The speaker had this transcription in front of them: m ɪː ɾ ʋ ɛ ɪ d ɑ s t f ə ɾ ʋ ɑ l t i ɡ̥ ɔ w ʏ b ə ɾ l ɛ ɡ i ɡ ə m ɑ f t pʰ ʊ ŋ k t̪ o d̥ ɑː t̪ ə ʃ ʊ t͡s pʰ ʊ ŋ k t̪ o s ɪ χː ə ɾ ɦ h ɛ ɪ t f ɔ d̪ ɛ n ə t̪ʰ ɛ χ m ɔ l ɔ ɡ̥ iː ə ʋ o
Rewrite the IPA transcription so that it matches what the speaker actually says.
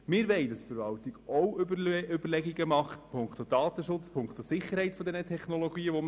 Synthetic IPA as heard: m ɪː ɾ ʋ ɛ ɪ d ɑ s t f ə ɾ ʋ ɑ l t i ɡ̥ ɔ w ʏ b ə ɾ l ɛ ɡ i ɡ ə m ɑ χ t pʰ ʊ ŋ k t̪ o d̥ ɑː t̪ ə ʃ ʊ t͡s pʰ ʊ ŋ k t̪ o s ɪ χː ə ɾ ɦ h ɛ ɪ t f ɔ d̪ ɛ n ə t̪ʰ ɛ χ n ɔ l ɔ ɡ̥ iː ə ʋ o

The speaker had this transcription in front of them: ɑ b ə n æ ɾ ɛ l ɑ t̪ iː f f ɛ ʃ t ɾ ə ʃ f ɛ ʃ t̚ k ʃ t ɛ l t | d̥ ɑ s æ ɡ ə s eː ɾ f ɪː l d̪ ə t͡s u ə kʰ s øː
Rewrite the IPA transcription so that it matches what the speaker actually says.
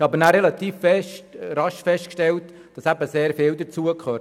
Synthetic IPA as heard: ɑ b ə n æ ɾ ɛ l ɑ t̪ iː f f ɛ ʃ t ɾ ɑ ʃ f ɛ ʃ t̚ k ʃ t ɛ l t | d̥ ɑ s æ b ə s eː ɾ f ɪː l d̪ ə t͡s u ə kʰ χ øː

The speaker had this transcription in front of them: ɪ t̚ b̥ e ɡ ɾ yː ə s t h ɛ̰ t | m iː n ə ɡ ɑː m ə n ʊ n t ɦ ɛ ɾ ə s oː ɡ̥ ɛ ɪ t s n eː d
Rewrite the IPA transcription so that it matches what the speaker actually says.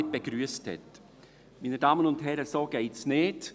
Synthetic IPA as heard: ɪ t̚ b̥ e ɡ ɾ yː ə s t h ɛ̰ t | m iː n ə d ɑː m ə n ʊ n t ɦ ɛ ɾ ə s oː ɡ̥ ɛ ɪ t s n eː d

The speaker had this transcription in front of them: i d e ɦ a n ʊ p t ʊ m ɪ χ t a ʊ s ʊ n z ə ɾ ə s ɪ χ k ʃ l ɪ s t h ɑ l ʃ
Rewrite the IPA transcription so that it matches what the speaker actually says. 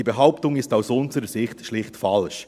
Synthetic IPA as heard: i b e ɦ a ʊ p t ʊ ŋ ɪ s t a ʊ s ʊ n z ə ɾ ə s ɪ χ t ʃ l ɪ χ t f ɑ l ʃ

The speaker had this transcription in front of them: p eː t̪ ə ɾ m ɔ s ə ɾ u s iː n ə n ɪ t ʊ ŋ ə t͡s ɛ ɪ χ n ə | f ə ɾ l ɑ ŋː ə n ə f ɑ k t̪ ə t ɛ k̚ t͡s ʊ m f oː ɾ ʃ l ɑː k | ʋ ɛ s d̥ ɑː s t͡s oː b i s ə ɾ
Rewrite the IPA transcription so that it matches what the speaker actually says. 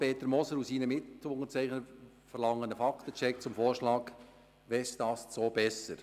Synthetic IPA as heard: p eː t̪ ə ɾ m ɔ s ə ɾ u s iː n ə m ɪ t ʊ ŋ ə t͡s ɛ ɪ χ n ə | f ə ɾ l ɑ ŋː ə n ə f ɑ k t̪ ə t͡ʃ ɛ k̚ t͡s ʊ m f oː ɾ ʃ l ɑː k | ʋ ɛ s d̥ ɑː s t͡s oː b ɛ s ə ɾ

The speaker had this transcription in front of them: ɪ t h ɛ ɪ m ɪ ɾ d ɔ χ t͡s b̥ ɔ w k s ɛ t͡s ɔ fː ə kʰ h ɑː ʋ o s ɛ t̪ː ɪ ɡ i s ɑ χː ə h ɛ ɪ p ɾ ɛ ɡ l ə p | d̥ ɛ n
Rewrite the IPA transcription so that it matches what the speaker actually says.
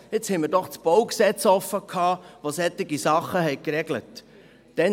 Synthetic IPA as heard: ɪ t͡s h ɛ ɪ m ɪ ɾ d ɔ χ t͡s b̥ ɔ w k s ɛ t͡s ɔ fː ə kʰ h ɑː ʋ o s ɛ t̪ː ɪ ɡ i s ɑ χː ə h ɛ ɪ k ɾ ɛ ɡ l ə t | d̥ ɛ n

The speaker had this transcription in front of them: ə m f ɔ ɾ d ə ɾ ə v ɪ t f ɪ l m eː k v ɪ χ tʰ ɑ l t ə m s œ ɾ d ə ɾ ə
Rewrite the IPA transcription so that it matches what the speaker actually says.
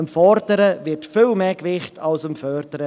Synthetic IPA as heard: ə m f ɔ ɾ d ə ɾ ə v ɪ t f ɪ l m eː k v ɪ χ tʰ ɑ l s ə m f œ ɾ d ə ɾ ə

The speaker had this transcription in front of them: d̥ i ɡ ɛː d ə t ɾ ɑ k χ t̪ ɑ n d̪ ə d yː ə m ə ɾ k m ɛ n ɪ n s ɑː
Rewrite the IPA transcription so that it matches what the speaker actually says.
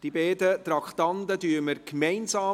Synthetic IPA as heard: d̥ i b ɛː d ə t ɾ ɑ k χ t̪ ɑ n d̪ ə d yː ə m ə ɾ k m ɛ ɪ n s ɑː

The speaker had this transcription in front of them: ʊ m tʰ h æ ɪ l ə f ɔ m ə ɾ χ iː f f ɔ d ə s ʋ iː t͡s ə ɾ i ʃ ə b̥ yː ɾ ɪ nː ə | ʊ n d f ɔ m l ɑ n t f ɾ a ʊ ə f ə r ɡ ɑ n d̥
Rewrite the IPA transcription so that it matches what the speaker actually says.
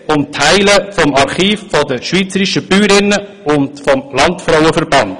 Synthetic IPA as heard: ʊ m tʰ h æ ɪ l ə f ɔ m ɑ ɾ χ iː f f ɔ d ə ʃ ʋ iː t͡s ə ɾ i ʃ ə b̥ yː ɾ ɪ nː ə | ʊ n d f ɔ m l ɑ n t f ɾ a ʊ ə f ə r b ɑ n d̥

